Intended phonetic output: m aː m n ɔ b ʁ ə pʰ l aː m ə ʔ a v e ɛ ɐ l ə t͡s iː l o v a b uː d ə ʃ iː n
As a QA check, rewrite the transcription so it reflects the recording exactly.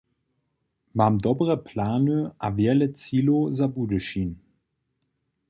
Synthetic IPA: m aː m d ɔ b ʁ ə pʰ l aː n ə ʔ a v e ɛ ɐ l ə t͡s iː l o z a b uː d ə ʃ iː n